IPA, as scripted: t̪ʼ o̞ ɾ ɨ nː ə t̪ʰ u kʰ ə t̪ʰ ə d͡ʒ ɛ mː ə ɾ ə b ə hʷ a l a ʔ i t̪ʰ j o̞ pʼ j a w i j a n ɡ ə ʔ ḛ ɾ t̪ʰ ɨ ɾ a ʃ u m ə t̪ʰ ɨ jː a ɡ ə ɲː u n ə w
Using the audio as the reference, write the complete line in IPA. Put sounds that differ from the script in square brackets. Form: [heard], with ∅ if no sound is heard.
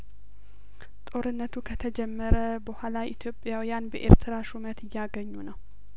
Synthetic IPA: t̪ʼ o̞ ɾ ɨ nː ə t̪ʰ u kʰ ə t̪ʰ ə d͡ʒ ɛ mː ə ɾ ə b ə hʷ a l a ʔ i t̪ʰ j o̞ pʼ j a w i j a n [b] ə ʔ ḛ ɾ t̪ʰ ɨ ɾ a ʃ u m ə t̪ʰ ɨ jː a ɡ ə ɲː u n ə w